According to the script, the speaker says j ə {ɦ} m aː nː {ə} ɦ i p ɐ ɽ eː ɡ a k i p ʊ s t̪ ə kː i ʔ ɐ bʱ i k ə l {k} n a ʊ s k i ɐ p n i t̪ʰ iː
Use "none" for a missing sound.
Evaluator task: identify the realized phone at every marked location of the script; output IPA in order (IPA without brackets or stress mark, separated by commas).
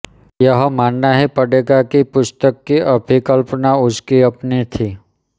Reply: ɦ, a, p